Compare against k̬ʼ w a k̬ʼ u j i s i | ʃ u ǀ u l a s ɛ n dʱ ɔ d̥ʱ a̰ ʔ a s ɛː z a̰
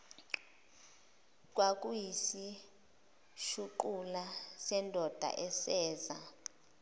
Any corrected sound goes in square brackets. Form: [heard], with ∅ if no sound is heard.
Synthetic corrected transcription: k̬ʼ w a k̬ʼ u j i s i | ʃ u [ǃ] u l a s ɛ n dʱ ɔ d̥ʱ a̰ ʔ [ɛ] s ɛː z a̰